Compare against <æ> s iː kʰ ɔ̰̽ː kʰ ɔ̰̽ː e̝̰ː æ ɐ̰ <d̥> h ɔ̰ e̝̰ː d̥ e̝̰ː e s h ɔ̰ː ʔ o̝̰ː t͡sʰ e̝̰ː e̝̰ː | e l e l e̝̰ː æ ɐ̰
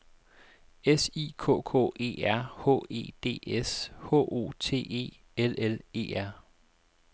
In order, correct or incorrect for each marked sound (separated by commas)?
incorrect, incorrect